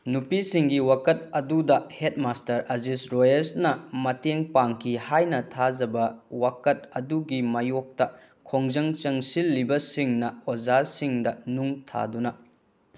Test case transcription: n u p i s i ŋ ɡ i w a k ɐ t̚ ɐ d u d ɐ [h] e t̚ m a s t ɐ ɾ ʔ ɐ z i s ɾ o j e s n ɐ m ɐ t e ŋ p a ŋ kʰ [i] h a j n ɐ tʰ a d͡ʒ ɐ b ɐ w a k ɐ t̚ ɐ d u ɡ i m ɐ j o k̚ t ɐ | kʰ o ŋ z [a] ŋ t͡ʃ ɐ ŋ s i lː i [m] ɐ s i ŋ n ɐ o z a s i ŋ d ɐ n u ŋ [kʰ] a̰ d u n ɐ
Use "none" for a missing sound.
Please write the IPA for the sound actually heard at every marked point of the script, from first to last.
h, i, ɐ, b, tʰ

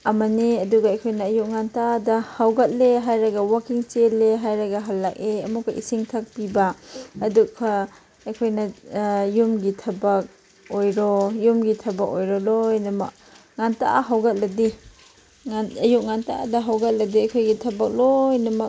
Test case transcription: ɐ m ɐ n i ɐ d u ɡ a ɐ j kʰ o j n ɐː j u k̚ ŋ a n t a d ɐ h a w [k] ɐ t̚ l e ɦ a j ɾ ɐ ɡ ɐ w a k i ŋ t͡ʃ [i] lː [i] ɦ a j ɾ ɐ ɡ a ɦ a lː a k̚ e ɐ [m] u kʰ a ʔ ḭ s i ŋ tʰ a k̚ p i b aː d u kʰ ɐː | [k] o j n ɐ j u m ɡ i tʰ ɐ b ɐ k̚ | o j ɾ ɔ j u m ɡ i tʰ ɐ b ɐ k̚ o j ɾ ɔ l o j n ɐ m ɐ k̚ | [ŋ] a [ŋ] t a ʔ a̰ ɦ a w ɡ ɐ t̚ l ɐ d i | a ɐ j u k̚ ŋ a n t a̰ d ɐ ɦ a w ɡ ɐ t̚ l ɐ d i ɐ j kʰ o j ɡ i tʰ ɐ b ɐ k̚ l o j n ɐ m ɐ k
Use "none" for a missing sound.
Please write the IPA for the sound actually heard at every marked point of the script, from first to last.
ɡ, e, e, m, kʰ, ŋ, n

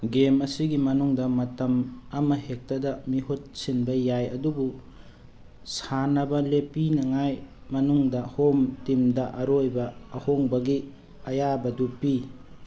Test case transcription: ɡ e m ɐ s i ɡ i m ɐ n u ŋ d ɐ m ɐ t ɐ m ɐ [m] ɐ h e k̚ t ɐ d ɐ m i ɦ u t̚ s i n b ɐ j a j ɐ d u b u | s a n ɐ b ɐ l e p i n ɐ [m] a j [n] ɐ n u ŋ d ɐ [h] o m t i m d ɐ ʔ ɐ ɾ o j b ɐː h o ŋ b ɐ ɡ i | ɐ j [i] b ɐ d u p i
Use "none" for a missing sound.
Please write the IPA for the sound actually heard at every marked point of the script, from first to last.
m, ŋ, m, h, a

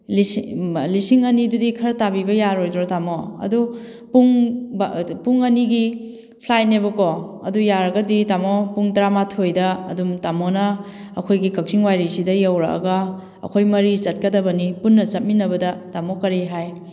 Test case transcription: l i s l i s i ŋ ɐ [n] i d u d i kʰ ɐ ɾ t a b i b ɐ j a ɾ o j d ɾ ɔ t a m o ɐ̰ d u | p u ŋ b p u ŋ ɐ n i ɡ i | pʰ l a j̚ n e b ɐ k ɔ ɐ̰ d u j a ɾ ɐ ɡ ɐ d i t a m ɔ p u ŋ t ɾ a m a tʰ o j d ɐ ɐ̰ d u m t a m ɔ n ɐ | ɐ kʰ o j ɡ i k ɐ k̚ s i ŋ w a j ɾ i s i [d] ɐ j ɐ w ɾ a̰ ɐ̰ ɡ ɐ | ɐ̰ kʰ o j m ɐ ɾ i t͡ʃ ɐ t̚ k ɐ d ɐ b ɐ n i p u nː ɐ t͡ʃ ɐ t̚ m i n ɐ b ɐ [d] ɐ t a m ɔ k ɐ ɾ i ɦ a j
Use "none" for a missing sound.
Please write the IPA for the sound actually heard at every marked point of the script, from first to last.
n, d, d

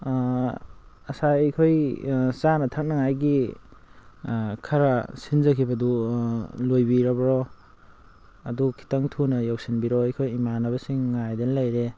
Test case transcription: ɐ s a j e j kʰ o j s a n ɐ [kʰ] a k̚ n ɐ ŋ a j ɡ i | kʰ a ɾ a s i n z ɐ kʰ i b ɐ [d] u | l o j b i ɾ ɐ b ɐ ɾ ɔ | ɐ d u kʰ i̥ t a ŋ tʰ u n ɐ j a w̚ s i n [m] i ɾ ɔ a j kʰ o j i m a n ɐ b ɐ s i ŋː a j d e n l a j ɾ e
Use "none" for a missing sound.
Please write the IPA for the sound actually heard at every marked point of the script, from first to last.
tʰ, d, b

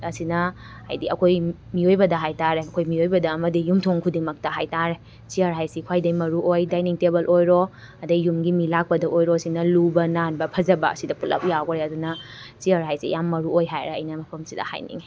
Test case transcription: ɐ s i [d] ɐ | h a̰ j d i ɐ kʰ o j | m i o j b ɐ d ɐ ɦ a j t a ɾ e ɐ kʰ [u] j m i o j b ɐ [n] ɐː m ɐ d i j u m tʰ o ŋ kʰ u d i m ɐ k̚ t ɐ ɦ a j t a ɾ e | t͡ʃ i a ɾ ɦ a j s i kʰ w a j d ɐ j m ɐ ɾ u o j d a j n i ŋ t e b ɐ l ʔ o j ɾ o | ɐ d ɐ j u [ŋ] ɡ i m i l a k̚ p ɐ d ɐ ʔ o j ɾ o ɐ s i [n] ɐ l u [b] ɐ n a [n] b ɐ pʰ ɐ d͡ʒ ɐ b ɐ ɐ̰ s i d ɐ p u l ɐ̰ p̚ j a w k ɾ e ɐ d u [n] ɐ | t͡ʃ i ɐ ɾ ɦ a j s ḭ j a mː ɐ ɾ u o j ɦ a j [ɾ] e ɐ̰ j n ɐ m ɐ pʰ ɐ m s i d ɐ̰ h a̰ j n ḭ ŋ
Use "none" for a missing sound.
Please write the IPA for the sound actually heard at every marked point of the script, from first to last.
n, o, d, m, n, b, n, n, ɾ

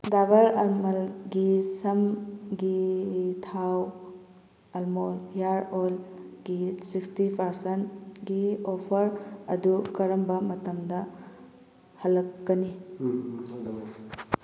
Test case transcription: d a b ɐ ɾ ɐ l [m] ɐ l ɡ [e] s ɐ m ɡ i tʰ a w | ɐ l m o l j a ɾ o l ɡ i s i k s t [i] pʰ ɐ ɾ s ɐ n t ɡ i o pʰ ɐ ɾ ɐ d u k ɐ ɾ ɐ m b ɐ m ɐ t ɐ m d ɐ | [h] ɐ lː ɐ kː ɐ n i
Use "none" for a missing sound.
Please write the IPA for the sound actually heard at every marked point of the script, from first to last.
m, i, i, h

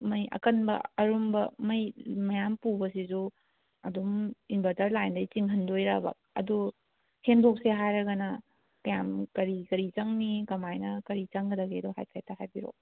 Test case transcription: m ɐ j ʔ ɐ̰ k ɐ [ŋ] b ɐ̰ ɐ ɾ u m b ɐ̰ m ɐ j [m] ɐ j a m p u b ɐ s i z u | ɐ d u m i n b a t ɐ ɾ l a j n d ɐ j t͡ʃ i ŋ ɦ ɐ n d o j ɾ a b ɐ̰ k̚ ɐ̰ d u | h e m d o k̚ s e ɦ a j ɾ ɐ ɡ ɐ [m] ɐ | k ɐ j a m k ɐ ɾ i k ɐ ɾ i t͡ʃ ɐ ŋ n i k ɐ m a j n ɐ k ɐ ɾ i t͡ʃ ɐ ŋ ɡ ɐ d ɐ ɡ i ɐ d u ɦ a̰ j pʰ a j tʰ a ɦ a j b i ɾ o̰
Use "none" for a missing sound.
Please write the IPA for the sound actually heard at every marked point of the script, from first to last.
n, m, n

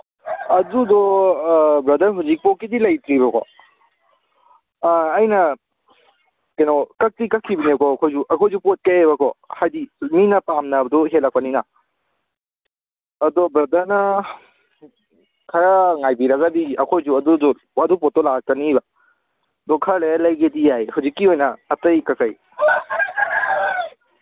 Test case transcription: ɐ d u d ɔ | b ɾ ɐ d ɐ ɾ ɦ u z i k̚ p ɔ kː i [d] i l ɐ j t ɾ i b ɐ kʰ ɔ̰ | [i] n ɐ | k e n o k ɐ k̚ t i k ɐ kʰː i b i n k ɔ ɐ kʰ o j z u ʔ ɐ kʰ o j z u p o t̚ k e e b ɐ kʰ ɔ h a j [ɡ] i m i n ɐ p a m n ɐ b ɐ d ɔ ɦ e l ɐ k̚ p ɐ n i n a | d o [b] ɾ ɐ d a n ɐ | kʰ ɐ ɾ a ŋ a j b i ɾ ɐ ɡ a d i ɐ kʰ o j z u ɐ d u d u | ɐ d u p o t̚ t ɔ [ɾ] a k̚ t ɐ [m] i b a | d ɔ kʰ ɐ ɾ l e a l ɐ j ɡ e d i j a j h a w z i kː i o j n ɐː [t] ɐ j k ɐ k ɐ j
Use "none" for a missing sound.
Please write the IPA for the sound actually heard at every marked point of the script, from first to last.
d, j, d, b, l, n, t

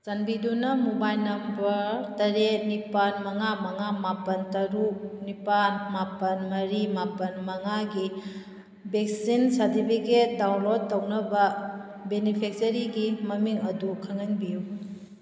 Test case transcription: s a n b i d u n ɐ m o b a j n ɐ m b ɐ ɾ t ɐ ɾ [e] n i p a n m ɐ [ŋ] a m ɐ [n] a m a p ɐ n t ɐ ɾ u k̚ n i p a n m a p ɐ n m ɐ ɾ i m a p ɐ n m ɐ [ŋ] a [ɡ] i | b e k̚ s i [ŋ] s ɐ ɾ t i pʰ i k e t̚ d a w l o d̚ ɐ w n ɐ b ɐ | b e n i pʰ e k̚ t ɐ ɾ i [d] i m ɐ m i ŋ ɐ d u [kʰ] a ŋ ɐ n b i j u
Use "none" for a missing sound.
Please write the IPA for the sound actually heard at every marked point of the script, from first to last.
e, ŋ, ŋ, ŋ, ɡ, n, ɡ, kʰ

